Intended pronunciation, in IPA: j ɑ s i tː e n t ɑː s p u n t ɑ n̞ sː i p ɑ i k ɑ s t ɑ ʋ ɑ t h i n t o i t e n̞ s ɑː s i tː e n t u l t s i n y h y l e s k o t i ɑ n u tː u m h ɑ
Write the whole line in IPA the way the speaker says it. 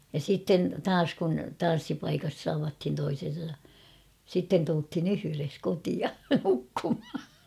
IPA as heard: j ɑ s i tː e n t ɑː s k u n t ɑ n̞ sː i p ɑ i k ɑ s t ɑ ʋ ɑ t h i n t o i s e n̞ s ɑ s i tː e n t u l t h i n y h y r e s k o t i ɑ n u kː u m h ɑ